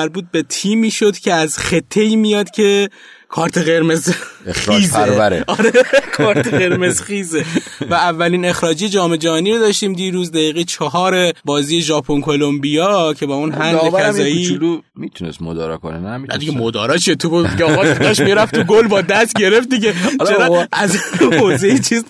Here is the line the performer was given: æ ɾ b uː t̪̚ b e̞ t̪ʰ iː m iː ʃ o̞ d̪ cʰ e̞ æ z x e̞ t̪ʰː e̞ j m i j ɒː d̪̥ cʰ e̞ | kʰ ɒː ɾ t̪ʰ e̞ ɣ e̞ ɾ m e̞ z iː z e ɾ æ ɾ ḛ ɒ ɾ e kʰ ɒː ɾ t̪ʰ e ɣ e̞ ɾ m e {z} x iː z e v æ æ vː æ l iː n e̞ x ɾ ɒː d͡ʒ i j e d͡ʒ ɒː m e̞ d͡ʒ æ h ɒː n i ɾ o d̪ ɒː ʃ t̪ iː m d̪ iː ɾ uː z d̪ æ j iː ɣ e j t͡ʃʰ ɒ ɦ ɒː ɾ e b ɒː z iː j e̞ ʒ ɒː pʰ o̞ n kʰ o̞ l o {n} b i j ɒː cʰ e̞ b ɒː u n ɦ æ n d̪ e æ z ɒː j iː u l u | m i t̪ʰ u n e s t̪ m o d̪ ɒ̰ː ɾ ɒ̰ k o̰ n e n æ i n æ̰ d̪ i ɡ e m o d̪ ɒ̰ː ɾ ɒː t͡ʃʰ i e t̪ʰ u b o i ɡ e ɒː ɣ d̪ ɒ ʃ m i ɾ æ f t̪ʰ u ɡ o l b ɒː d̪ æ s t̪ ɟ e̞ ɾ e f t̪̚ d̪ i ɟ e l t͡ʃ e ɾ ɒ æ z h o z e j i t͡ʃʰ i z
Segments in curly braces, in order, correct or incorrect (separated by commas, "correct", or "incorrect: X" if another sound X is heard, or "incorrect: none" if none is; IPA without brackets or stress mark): correct, incorrect: m